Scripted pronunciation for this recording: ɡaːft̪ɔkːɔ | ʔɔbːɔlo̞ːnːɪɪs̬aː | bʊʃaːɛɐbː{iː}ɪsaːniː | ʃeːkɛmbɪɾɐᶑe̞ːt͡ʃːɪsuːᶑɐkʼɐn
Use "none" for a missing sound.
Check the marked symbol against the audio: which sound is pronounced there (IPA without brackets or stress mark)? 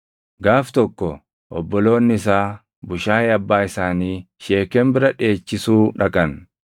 aː